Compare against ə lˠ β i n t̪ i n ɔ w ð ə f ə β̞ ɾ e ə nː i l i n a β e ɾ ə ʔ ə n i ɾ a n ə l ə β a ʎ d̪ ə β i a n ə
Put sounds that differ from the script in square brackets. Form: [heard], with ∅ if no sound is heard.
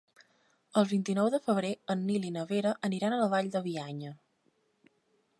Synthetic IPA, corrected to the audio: ə lˠ β i n t̪ i n ɔ w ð ə f ə β̞ ɾ e ə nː i l i n [ə] β e ɾ ə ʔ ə n i ɾ a n ə l ə β a ʎ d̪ ə β i a [ɲ] ə